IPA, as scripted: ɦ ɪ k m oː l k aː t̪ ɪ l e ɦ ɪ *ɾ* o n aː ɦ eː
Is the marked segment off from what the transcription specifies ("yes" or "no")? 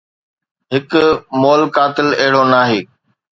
yes